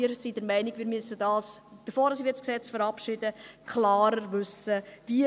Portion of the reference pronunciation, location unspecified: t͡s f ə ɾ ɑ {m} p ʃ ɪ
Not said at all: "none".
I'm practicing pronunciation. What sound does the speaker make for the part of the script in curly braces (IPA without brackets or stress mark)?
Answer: none